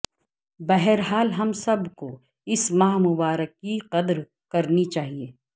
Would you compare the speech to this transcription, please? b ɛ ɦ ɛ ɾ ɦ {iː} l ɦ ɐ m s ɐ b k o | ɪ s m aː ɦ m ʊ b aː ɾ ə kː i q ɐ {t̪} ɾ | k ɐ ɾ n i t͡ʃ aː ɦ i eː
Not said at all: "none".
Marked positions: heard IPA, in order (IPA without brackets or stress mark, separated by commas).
aː, d̪